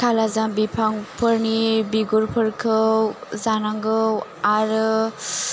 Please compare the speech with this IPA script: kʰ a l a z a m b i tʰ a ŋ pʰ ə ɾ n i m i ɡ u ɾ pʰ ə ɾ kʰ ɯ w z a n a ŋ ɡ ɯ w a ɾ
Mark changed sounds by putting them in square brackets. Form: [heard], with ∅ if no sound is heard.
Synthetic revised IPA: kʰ a l a z a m b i [pʰ] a ŋ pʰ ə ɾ n i [b] i ɡ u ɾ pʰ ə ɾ kʰ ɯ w z a n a ŋ ɡ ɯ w a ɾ